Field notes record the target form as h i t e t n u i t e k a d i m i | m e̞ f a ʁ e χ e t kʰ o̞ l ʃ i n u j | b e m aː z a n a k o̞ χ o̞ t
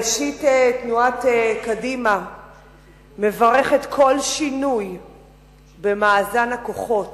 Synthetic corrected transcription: ʃ i t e t n u a t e k a d i m a | m e̞ v a ʁ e χ e t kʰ o̞ l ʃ i n u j | b e m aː z a n a k o̞ χ o̞ t

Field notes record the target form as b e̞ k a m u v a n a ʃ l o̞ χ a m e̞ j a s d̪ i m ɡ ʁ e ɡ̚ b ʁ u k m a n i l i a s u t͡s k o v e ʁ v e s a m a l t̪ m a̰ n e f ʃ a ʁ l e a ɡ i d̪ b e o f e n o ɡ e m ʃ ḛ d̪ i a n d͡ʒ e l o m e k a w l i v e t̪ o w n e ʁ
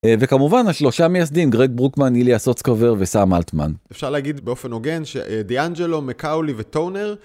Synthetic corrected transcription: v e̞ k a m u v a n a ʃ l o̞ ʃ a m e̞ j a s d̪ i m ɡ ʁ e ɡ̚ b ʁ u k m a n i l i a s o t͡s k o v e ʁ v e s a m a l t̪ m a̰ n e f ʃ a ʁ l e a ɡ i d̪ b e o f e n o ɡ e n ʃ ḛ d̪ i a n d͡ʒ e l o m e k a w l i v e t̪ o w n e ʁ

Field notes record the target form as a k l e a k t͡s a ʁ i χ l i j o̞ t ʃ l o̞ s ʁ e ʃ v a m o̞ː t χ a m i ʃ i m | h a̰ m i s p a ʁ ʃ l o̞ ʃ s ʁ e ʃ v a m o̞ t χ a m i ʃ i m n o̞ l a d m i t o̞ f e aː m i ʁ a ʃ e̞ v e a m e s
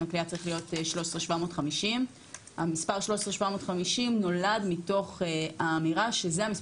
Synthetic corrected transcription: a k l i a t͡s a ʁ i χ l i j o̞ t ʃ l o̞ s ʁ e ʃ v a m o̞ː t χ a m i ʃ i m | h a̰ m i s p a ʁ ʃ l o̞ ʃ s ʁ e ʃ v a m o̞ t χ a m i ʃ i m n o̞ l a d m i t o̞ χ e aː m i ʁ a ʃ e̞ z e a m i s

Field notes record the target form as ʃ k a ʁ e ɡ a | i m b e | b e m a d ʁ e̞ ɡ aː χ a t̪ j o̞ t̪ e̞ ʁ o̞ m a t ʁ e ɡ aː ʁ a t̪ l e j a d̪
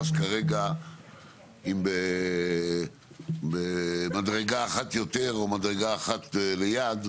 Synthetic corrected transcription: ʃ k a ʁ e ɡ a | i m b e | b e m a d ʁ e̞ ɡ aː χ a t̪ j o̞ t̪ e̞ ʁ o̞ m a d ʁ e ɡ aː χ a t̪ l e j a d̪

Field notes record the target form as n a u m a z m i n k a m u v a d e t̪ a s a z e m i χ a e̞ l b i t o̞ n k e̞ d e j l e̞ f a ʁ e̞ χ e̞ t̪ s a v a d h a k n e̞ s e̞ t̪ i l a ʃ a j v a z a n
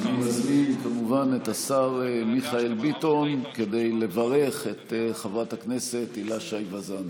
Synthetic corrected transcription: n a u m a z m i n k a m u v a n e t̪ a s a ʁ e m i χ a e̞ l b i t o̞ n k e̞ d e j l e̞ v a ʁ e̞ χ e̞ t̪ χ a v a t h a k n e̞ s e̞ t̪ i l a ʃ a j v a z a n

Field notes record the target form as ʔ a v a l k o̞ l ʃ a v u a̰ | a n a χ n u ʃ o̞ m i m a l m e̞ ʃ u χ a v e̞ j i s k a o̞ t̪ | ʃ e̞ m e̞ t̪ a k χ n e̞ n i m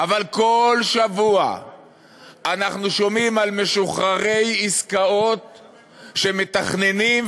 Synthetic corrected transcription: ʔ a v a l k o̞ l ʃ a v u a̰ | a n a χ n u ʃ o̞ m i m a l m e̞ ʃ u χ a ʁ e̞ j i s k a o̞ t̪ | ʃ e̞ m e̞ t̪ a χ n e̞ n i m

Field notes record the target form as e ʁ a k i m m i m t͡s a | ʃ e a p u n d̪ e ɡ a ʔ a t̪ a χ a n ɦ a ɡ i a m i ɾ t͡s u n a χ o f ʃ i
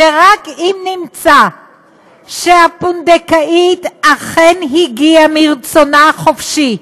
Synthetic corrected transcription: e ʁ a k i m n i m t͡s a | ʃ e a p u n d̪ e k a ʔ i t̪ a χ e n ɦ i ɡ i a m i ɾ t͡s o n a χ o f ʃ i

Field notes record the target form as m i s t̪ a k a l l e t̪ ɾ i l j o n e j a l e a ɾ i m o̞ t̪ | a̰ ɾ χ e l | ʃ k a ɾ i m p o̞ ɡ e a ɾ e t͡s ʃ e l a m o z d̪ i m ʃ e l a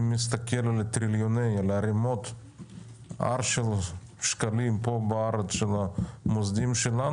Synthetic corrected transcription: m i s t̪ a k e l l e t̪ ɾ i l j o n e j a l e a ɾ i m o̞ t̪ | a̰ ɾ ʃ e l | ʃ k a l i m p o̞ b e a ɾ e t͡s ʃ e l a m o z d̪ i m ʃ e l a

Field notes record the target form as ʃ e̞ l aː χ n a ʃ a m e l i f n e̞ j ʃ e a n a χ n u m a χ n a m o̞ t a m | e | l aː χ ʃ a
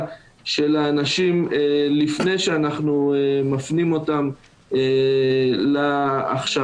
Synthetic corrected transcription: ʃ e̞ l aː n a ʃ i m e l i f n e̞ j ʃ e a n a χ n u m a f n i m o̞ t a m | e | l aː χ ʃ a

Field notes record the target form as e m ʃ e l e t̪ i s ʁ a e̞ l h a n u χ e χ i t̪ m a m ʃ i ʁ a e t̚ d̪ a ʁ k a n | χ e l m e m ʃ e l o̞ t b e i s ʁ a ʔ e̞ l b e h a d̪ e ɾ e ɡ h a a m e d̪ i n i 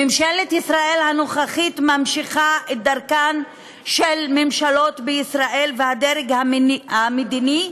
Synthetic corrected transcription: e m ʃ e l e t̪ i s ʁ a e̞ l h a n o χ a χ i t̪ m a m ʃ i χ a e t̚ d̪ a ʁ k a n | ʃ e l m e m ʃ a l o̞ t b e i s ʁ a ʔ e̞ l v e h a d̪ e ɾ e ɡ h a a m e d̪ i n i

